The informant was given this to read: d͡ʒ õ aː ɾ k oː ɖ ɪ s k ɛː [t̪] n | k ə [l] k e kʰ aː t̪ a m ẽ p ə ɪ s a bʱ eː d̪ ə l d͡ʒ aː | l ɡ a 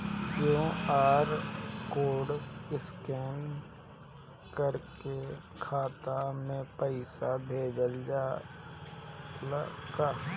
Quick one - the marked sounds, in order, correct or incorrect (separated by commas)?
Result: incorrect, incorrect